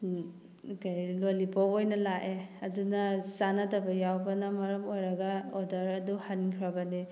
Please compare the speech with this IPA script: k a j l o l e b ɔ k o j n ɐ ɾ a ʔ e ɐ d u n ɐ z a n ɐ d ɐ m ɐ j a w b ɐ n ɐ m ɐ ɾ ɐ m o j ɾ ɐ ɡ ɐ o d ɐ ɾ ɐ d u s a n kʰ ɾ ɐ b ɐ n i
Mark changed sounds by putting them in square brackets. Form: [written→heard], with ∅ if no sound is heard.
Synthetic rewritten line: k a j l o l [e→i] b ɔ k o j n ɐ [ɾ→l] a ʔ e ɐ d u n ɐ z a n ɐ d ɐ [m→b] ɐ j a w b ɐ n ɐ m ɐ ɾ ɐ m o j ɾ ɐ ɡ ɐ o d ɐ ɾ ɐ d u [s→h] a n kʰ ɾ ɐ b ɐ n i